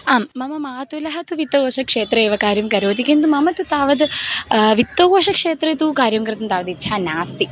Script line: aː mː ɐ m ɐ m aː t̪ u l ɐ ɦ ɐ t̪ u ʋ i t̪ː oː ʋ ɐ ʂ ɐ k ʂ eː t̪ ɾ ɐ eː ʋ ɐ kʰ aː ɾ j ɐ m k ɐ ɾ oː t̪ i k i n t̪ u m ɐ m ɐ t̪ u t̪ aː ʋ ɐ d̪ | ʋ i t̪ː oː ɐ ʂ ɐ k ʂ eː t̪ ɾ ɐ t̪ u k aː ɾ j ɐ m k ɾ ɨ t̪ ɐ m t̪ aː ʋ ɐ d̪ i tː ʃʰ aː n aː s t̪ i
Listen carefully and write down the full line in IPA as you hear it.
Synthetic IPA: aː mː ɐ m ɐ m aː t̪ u l ɐ ɦ ɐ t̪ u ʋ i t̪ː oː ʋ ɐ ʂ ɐ k ʂ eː t̪ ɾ ɐ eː ʋ ɐ k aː ɾ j ɐ m k ɐ ɾ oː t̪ i k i n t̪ u m ɐ m ɐ t̪ u t̪ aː ʋ ɐ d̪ | ʋ i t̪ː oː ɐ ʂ ɐ k ʂ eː t̪ ɾ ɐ t̪ u k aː ɾ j ɐ m k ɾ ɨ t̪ ɐ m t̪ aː ʋ ɐ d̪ i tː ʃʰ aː n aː s t̪ i